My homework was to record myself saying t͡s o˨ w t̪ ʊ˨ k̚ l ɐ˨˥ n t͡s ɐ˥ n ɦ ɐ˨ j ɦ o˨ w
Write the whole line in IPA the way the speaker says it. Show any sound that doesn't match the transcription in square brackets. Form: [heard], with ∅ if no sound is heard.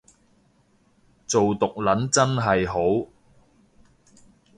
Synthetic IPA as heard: t͡s o˨ w t̪ ʊ˨ k̚ l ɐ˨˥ n t͡s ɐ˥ n ɦ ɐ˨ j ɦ [o˨˥] w